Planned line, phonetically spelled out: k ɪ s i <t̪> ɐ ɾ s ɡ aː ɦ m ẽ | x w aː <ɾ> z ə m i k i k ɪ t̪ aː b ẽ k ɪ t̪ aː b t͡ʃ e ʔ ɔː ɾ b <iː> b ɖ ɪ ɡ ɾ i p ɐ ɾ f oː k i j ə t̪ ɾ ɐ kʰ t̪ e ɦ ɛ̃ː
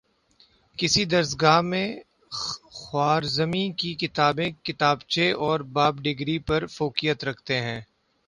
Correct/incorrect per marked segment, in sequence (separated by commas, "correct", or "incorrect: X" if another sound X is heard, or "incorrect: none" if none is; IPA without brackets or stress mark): incorrect: d̪, correct, incorrect: aː